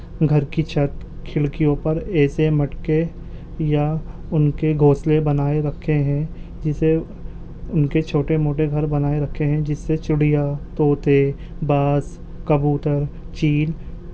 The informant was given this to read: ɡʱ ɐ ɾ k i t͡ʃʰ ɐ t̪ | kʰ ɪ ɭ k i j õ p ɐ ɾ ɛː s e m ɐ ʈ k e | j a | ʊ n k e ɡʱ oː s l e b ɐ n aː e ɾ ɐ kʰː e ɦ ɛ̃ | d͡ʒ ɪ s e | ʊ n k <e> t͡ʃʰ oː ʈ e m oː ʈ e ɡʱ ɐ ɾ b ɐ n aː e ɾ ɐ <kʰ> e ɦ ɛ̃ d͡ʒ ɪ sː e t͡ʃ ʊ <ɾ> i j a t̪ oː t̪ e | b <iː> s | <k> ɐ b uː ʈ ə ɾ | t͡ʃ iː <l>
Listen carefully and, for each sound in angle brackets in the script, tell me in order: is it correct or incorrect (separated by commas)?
correct, correct, incorrect, incorrect, correct, correct